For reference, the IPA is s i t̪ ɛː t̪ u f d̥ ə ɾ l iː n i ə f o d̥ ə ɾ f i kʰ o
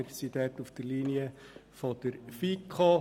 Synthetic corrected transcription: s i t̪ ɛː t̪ u f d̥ ə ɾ l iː n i ə f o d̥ ə ɾ f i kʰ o